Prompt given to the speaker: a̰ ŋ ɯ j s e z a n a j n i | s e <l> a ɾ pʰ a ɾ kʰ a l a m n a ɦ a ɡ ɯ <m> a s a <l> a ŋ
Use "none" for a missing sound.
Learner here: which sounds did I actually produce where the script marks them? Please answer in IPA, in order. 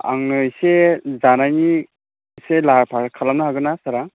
l, n, ɾ

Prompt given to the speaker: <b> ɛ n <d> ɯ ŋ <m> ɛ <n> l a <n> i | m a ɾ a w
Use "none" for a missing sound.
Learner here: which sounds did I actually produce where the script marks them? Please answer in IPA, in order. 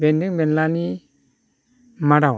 b, d, b, n, n

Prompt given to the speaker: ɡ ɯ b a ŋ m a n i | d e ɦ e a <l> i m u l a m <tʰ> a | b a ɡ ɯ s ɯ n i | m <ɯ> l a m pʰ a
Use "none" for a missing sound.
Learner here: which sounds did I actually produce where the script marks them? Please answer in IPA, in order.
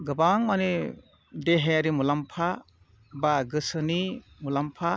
ɾ, pʰ, u

